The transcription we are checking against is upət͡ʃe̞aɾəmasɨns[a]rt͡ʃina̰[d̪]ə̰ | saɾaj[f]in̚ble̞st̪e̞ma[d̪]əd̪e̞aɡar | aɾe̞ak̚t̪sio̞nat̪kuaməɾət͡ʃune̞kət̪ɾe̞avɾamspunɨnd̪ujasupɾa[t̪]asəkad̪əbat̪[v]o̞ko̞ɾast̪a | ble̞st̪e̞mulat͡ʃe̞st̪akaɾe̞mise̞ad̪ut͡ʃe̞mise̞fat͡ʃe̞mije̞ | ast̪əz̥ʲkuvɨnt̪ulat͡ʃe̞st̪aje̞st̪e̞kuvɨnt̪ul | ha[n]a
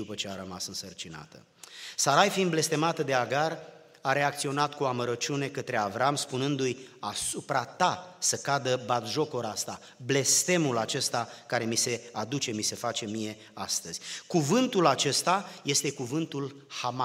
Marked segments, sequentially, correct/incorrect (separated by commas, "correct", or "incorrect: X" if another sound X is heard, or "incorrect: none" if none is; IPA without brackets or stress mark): incorrect: ə, incorrect: t̪, correct, incorrect: t̪, correct, incorrect: ʒ, incorrect: m